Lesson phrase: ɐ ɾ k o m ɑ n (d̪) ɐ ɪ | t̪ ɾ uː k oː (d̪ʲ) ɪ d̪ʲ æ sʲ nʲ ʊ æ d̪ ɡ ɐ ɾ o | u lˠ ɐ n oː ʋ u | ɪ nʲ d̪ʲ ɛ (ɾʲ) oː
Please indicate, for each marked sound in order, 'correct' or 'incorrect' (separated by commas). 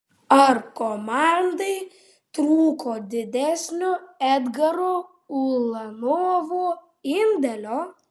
correct, correct, incorrect